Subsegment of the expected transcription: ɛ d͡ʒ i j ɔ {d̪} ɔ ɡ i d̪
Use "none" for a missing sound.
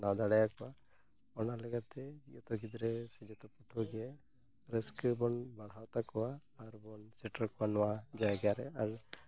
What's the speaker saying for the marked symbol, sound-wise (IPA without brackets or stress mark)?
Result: t̪